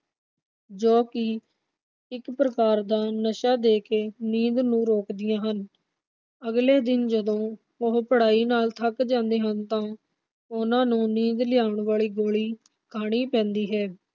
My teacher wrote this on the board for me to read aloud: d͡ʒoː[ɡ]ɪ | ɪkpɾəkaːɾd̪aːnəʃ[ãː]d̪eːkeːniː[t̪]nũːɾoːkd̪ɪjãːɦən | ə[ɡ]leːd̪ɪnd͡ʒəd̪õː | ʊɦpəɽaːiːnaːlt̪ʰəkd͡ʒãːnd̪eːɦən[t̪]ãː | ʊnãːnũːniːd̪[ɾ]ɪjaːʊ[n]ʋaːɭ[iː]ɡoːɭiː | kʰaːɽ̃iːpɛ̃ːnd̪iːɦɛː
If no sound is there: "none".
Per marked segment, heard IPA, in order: k, aː, d̪, ɡ, t̪, l, ɳ, iː

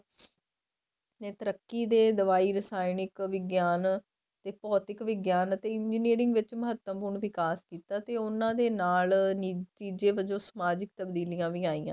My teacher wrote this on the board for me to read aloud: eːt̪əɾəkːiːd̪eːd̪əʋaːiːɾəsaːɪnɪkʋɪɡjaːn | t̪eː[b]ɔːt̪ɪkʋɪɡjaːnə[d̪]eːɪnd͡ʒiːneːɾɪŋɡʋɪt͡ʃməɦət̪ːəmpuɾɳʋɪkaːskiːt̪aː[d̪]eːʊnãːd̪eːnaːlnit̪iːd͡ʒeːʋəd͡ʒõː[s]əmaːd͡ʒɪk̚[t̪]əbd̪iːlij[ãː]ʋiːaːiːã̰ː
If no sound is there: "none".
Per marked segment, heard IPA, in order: p, t̪, t̪, s, t̪, ãː

